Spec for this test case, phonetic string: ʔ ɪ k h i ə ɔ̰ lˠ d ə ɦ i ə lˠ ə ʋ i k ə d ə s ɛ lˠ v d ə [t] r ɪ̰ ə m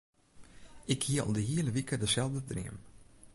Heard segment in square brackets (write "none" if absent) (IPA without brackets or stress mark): d